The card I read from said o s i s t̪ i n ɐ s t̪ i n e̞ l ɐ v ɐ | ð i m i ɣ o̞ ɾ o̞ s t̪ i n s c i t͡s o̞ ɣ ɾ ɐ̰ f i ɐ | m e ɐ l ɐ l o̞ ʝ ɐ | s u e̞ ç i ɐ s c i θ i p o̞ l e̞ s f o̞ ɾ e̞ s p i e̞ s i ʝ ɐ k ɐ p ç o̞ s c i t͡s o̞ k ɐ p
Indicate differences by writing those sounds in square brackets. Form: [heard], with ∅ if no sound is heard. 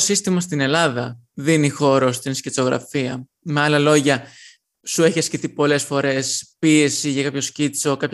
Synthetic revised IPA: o s i s t̪ i [m] ɐ s t̪ i n e̞ l ɐ [ð] ɐ | ð i [n] i [x] o̞ ɾ o̞ s t̪ i n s c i t͡s o̞ ɣ ɾ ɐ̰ f i ɐ | m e ɐ l ɐ l o̞ ʝ ɐ | s u e̞ ç i ɐ s c i θ i p o̞ l e̞ s f o̞ ɾ e̞ s p i e̞ s i ʝ ɐ k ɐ p ç o̞ s c i t͡s o̞ k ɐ p